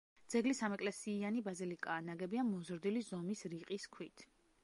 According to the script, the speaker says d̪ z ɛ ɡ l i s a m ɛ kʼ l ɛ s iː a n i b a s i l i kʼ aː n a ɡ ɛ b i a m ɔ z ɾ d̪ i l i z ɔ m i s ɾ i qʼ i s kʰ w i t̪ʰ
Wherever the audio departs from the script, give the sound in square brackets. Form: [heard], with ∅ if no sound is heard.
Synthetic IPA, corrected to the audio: d̪ z ɛ ɡ l i s a m ɛ kʼ l ɛ s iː a n i b a [z] i l i kʼ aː n a ɡ ɛ b i a m ɔ z ɾ d̪ i l i z ɔ m i s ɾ i qʼ i s kʰ w i t̪ʰ